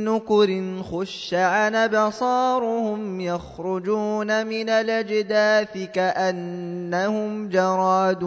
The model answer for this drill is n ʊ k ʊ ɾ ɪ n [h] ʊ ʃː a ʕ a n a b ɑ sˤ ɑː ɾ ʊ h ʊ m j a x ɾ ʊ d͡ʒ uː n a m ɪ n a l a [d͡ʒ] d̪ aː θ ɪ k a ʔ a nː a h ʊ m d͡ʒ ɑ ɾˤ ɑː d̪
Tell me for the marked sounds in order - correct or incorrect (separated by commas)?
incorrect, correct